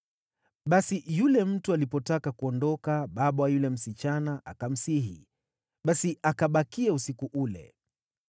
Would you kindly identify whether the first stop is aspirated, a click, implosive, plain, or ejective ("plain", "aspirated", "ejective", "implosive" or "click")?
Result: implosive